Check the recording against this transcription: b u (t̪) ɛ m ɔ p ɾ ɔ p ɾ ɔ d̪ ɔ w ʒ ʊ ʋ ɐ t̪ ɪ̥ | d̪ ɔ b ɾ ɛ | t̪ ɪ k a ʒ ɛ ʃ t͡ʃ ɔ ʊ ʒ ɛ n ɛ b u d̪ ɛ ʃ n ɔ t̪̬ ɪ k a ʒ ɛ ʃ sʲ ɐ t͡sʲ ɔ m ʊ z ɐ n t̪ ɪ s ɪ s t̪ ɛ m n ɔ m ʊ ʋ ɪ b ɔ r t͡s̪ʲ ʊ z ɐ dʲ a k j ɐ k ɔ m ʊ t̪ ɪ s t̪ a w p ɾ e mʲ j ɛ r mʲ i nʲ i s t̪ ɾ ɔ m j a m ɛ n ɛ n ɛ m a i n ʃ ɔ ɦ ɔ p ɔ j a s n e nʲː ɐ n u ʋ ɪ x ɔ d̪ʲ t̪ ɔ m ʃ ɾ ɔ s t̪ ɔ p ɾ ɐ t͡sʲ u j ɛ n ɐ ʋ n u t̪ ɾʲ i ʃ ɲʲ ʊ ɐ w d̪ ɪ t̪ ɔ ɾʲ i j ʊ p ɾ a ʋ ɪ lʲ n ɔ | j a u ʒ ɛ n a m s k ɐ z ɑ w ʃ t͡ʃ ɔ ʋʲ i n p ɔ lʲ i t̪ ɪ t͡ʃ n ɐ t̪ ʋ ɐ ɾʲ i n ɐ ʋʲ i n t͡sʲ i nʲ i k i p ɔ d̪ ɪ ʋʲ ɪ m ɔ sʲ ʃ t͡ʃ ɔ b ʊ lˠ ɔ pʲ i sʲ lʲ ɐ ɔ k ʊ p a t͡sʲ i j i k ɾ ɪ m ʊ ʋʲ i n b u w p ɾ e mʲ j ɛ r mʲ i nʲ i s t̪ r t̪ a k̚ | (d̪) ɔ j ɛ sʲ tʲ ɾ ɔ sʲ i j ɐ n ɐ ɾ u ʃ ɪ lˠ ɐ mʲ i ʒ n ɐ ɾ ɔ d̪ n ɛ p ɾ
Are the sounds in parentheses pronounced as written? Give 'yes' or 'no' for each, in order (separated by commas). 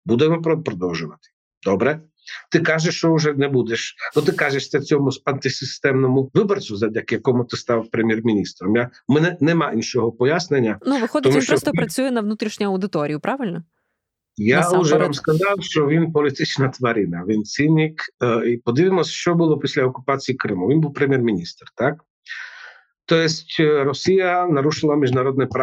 no, no